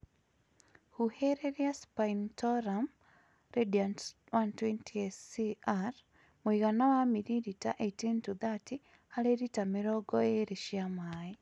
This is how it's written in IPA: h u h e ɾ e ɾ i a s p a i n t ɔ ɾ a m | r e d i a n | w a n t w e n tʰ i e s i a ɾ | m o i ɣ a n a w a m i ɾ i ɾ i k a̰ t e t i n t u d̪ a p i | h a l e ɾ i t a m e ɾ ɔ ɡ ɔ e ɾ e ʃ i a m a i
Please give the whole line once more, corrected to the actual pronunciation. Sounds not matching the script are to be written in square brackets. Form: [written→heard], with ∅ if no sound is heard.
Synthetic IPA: h u h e ɾ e ɾ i a s p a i n t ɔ ɾ a m | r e d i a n | w a n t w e n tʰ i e s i a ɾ | m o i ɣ a n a w a m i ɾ i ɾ i [k→t] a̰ [t→ʔ] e t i n t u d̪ a [p→t] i | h a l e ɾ i t a m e ɾ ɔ ɡ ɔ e ɾ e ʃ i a m a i

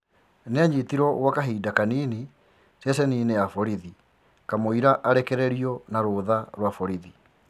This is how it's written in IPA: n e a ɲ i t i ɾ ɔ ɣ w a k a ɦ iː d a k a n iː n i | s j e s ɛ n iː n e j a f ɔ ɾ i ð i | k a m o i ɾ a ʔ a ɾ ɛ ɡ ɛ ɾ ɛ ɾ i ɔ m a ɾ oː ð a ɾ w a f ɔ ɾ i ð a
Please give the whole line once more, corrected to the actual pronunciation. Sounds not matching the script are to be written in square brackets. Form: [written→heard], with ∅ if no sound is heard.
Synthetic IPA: n e a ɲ i t i ɾ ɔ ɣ w a k a ɦ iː d a k a n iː n i | s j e s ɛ n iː n e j a f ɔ ɾ i ð i | k a m o i ɾ a ʔ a ɾ ɛ [ɡ→k] ɛ ɾ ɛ ɾ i ɔ [m→n] a ɾ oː ð a ɾ w a f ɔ ɾ i ð [a→i]

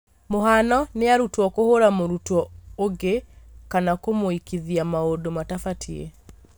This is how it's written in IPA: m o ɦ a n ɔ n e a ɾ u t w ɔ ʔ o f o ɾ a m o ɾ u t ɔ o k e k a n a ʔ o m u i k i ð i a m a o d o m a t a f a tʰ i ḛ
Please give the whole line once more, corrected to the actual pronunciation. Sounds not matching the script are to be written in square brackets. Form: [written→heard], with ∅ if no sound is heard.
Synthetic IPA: m o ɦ a n ɔ n e a ɾ u t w ɔ [ʔ→k] o [f→h] o ɾ a m o ɾ u t ɔ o [k→ɡ] e k a n a [ʔ→k] o m [u→o] i k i ð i a m a o d o m a t a f a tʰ i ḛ

